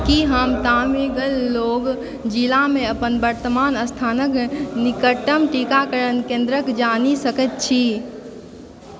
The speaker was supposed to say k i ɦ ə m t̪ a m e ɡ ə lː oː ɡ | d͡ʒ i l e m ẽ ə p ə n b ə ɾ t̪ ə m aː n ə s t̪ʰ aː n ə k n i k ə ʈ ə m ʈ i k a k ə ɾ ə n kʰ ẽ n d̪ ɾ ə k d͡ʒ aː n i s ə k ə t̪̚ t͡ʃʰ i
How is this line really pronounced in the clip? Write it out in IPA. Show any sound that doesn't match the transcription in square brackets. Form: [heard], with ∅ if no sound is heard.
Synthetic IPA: k i ɦ ə m t̪ a m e ɡ ə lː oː ɡ | d͡ʒ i l [a] m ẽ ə p ə n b ə ɾ t̪ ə m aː n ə s t̪ʰ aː n ə k n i k ə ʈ ə m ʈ i k a k ə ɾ ə n [k] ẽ n d̪ ɾ ə k d͡ʒ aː n i s ə k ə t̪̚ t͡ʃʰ i